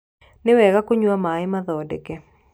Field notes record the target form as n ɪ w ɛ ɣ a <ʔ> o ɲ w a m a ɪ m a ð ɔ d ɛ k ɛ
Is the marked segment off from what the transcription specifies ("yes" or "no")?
yes